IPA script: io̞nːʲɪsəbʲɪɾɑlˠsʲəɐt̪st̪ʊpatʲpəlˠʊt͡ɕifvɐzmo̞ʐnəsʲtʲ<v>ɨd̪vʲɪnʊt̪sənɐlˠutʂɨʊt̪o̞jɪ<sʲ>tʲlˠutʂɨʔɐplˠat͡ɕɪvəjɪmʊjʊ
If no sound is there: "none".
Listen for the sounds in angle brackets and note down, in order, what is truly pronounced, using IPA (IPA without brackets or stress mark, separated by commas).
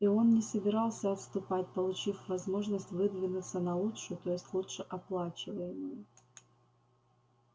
v, sʲ